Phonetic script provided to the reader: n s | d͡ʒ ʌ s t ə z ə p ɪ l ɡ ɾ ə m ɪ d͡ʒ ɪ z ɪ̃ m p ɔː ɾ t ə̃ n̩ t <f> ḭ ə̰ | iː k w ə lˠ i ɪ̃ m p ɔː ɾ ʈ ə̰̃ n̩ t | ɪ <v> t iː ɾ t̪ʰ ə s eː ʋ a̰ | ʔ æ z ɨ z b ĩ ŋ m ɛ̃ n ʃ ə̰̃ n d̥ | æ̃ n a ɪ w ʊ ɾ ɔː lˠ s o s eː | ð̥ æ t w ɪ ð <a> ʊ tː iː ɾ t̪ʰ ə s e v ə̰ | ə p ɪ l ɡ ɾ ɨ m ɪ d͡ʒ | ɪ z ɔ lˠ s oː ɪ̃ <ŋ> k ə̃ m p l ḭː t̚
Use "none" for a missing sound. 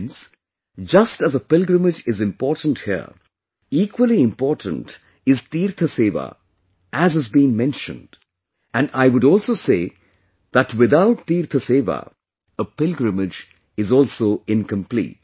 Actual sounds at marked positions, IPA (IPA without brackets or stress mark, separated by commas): h, z, a, n